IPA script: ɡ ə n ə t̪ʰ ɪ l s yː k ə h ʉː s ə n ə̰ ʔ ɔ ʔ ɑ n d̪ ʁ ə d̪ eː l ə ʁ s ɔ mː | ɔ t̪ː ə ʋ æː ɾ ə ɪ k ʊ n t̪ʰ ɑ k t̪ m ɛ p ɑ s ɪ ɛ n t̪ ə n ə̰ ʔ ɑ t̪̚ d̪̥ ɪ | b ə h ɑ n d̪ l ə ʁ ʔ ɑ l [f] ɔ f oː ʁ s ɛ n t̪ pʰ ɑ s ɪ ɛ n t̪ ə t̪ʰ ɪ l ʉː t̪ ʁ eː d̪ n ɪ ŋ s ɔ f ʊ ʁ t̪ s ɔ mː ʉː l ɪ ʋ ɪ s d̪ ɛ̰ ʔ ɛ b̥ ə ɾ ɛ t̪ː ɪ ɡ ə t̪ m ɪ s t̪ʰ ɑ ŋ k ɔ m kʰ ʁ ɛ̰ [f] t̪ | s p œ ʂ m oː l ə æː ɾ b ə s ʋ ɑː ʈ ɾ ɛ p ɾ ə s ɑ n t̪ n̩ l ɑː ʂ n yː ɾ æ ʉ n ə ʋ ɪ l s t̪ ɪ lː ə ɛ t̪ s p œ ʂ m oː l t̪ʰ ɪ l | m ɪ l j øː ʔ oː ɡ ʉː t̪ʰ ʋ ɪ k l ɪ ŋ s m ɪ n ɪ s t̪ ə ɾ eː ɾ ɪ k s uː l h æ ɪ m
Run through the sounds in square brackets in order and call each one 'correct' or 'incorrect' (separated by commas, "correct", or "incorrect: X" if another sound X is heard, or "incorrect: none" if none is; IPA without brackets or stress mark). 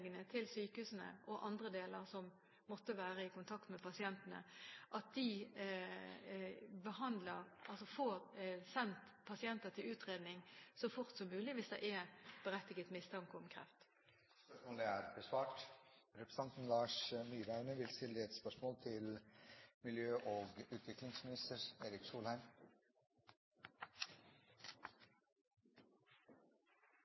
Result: incorrect: s, correct